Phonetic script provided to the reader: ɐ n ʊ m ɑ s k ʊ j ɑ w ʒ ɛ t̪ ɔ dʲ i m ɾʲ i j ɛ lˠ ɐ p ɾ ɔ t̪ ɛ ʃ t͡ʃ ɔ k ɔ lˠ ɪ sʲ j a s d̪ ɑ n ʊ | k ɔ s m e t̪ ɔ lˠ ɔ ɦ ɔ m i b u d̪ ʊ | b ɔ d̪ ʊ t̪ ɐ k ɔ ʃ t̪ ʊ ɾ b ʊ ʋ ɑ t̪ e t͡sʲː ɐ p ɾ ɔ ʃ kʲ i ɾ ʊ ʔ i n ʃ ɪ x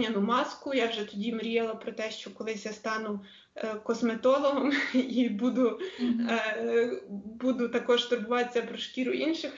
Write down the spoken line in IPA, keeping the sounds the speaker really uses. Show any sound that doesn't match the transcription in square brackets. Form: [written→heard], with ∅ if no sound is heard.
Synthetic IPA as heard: ɐ n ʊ m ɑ s k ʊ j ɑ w ʒ ɛ t̪ ɔ dʲ i m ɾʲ i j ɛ lˠ ɐ p ɾ ɔ t̪ ɛ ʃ t͡ʃ ɔ k ɔ lˠ ɪ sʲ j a s [d̪→t̪] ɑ n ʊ | k ɔ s m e t̪ ɔ lˠ ɔ ɦ ɔ m i b u d̪ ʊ | b [ɔ→u] d̪ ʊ t̪ ɐ k ɔ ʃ t̪ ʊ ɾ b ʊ ʋ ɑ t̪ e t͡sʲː ɐ p ɾ ɔ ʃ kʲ i ɾ ʊ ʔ i n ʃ ɪ x